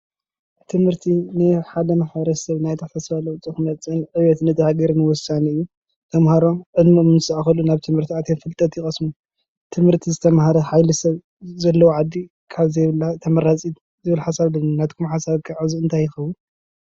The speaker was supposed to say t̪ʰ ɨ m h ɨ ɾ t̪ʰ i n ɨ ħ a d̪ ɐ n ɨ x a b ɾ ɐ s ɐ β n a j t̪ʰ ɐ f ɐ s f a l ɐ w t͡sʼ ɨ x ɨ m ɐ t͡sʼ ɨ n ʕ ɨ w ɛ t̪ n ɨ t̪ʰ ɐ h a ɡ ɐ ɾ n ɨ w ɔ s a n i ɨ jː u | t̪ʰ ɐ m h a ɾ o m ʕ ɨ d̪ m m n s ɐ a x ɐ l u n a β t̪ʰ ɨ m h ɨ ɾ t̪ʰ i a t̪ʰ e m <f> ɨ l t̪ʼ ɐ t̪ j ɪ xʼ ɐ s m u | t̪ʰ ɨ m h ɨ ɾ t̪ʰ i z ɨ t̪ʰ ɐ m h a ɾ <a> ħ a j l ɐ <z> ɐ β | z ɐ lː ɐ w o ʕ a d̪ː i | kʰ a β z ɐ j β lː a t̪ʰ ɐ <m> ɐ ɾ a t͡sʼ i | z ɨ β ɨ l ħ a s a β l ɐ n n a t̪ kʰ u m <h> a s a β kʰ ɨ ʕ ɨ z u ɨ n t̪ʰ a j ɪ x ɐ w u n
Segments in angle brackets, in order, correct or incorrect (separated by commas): correct, incorrect, incorrect, correct, incorrect